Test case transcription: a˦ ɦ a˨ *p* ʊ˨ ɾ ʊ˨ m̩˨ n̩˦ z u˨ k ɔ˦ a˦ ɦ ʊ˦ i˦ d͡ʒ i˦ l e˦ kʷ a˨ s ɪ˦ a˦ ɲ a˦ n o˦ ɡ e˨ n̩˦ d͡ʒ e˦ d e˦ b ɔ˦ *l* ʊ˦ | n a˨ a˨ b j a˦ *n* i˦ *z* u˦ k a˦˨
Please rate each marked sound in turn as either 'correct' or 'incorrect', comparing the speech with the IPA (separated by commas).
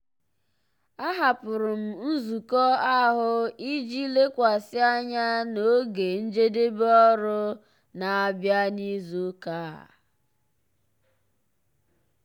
correct, incorrect, correct, correct